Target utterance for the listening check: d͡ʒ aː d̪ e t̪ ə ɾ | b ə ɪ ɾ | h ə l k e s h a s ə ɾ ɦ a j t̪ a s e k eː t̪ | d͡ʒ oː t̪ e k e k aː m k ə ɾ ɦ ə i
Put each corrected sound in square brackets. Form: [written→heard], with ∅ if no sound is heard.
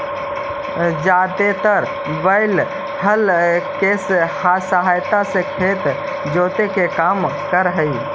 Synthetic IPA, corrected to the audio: d͡ʒ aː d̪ e t̪ ə ɾ | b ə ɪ [ɾ→l] | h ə l k e s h a s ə [ɾ→∅] ɦ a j t̪ a s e [k→kʰ] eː t̪ | d͡ʒ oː t̪ e k e k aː m k ə ɾ ɦ ə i